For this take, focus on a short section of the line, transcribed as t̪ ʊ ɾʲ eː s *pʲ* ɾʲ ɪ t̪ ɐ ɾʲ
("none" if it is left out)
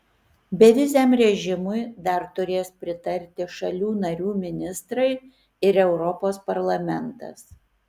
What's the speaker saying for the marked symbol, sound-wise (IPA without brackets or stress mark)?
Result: pʲ